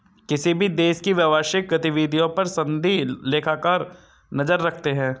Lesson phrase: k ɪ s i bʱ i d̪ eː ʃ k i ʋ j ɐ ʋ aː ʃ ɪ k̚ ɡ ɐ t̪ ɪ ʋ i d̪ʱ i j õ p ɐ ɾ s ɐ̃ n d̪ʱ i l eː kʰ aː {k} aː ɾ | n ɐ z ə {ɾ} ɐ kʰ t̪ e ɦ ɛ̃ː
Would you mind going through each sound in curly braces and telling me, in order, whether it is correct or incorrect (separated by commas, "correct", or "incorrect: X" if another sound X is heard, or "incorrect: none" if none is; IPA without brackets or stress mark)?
correct, incorrect: ɾː